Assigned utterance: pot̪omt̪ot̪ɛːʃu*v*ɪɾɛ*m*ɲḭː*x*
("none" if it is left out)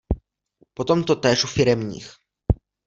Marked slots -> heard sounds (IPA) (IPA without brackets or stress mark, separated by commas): f, m, x